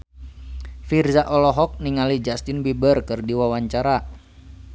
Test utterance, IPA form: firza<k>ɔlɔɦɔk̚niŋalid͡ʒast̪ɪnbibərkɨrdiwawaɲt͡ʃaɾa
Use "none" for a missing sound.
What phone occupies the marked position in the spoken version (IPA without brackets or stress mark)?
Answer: ʔ